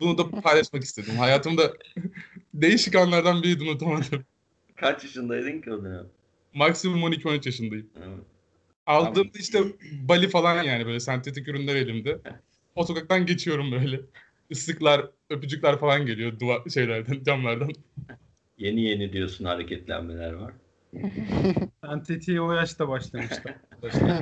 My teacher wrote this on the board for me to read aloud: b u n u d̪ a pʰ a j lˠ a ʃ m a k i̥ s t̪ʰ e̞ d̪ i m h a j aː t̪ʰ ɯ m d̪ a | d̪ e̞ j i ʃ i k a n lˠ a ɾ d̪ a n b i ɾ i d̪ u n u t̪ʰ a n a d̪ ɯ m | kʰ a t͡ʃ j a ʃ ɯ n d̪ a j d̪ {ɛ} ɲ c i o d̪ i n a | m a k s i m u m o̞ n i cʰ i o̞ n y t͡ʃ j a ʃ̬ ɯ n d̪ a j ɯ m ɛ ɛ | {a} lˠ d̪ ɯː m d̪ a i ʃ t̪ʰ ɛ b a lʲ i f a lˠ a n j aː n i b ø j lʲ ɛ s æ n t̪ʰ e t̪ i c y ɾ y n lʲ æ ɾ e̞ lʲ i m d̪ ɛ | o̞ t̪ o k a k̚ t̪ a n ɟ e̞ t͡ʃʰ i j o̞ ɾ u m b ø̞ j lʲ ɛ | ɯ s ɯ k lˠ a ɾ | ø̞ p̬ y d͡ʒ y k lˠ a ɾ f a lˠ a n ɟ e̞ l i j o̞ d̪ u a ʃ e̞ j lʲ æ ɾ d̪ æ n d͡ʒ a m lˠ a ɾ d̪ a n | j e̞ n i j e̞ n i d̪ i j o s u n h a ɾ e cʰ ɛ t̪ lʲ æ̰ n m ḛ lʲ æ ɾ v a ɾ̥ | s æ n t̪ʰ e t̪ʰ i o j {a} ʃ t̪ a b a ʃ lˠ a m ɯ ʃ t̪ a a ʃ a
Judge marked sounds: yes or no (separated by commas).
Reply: no, yes, yes